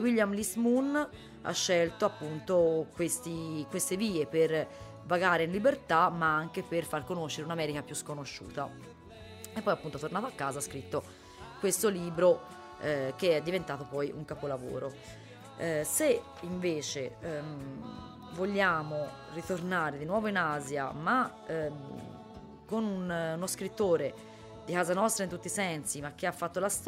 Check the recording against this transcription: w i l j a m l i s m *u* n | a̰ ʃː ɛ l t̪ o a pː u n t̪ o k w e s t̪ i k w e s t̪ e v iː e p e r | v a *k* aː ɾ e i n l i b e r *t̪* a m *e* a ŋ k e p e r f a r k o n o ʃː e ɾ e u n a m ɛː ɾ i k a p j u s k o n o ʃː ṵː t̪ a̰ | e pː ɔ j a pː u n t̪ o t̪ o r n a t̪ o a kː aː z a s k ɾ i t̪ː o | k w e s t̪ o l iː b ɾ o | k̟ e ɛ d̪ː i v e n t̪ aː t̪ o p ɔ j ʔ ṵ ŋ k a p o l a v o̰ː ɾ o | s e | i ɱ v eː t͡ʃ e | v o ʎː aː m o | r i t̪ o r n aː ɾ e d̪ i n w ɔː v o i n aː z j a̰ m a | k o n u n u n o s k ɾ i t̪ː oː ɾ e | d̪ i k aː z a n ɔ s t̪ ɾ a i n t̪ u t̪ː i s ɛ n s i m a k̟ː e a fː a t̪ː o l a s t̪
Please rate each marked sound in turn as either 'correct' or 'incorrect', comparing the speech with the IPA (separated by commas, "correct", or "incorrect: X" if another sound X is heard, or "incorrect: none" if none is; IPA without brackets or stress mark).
correct, incorrect: ɡ, correct, incorrect: a